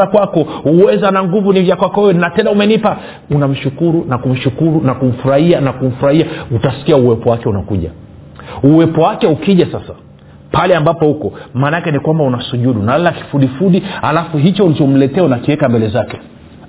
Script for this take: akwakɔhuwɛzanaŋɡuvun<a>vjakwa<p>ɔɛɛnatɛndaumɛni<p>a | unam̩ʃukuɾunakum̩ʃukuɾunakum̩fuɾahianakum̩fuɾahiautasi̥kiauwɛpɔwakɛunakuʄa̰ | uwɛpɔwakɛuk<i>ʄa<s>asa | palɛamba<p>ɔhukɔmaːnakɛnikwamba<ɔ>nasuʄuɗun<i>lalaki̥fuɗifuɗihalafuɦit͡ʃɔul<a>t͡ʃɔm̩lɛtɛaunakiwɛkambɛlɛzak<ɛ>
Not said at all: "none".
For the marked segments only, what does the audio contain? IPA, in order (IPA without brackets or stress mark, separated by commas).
i, k, p, i, s, p, u, a, i, ɛ